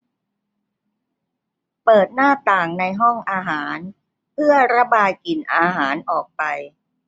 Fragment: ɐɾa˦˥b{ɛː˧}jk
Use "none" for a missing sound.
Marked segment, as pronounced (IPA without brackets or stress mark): aː˧